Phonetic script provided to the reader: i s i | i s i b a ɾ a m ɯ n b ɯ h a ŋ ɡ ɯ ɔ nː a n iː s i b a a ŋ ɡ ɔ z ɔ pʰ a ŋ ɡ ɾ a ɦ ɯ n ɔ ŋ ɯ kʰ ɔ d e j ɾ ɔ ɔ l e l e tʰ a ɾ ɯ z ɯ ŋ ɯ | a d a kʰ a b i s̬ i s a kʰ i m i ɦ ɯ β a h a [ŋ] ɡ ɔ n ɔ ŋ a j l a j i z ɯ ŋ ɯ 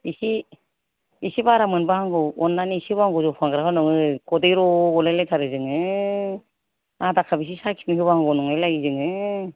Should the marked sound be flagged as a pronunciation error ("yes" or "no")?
no